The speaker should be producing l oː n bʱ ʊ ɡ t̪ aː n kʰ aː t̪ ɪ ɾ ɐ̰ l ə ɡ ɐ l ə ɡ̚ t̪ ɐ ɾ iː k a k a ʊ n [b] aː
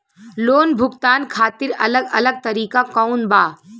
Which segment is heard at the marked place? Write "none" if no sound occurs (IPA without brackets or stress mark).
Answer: b